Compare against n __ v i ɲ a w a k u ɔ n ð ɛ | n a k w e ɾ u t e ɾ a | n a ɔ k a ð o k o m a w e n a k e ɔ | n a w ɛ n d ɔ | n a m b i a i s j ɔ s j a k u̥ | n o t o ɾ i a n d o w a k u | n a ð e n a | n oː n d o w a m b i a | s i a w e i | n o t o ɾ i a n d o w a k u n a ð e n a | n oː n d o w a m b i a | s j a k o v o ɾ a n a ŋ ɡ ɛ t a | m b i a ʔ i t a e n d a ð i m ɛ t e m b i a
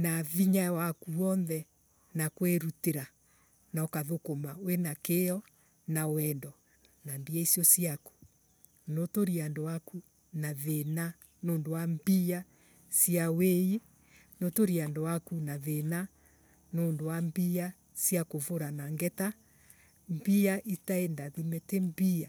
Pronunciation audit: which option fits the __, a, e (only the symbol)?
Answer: a